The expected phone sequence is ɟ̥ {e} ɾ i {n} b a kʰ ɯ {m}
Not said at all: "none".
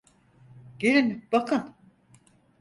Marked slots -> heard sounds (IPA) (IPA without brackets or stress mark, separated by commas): e, n, n